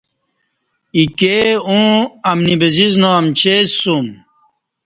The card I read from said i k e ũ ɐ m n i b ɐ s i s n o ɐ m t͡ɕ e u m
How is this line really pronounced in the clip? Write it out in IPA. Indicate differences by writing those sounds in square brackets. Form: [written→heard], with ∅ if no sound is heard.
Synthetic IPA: i k e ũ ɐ m n i b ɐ [s→z] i [s→z] n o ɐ m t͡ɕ e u m